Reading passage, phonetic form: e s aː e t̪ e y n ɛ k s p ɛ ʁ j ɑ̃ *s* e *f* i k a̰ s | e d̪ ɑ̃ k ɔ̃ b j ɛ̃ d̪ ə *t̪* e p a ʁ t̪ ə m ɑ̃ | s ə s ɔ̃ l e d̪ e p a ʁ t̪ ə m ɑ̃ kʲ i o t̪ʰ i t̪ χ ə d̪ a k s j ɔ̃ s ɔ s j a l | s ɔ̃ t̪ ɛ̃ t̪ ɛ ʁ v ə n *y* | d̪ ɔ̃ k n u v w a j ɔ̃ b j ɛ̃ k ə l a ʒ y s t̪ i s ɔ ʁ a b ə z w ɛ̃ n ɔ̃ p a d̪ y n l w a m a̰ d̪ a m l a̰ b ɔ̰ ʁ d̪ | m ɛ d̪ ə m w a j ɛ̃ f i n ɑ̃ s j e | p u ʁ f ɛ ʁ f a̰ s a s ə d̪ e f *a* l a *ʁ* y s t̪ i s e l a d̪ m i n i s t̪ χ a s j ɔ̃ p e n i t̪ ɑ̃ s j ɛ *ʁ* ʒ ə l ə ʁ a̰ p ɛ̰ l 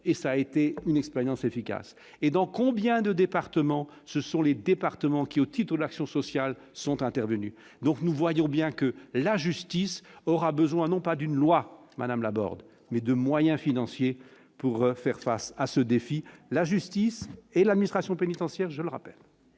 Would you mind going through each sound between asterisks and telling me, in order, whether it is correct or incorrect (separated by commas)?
correct, correct, incorrect, correct, incorrect, incorrect, correct